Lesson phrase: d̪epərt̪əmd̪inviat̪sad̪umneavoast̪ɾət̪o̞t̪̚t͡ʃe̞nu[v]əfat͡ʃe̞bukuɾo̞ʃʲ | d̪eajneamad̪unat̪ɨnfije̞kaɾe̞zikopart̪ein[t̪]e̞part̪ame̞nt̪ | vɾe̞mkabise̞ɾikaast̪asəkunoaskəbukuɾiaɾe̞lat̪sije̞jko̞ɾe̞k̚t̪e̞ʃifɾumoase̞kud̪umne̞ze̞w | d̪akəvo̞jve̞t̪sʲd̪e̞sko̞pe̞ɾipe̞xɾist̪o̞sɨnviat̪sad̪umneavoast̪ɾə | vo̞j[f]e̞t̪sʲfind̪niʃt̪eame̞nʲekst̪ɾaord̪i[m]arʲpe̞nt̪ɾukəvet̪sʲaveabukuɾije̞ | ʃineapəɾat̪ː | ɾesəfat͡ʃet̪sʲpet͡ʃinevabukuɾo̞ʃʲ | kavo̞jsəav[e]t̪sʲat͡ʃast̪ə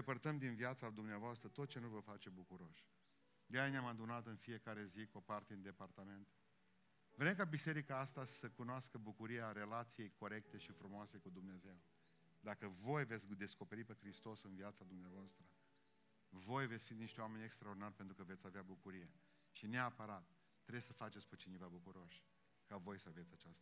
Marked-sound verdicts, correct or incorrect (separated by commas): correct, incorrect, incorrect, incorrect, correct